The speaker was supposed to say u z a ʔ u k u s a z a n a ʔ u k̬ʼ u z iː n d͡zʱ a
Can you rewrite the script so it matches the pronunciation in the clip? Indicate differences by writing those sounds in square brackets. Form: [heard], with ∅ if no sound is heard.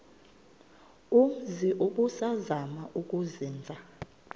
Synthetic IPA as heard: u z [i] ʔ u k u s a z a [m] a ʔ u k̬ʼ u z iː n d͡zʱ a